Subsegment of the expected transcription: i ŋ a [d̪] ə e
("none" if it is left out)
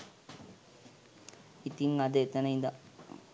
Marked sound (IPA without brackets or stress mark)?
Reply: d̪